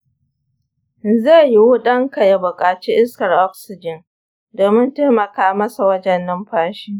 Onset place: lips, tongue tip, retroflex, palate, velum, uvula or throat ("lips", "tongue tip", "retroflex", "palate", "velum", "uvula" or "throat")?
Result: tongue tip